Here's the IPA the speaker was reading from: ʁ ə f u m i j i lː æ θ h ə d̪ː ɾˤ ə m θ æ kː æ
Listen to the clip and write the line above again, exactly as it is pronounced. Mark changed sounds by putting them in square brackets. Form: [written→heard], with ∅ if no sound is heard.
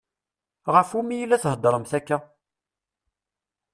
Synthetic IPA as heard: ʁ ə f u m i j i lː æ θ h ə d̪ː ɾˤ ə m θ æ kː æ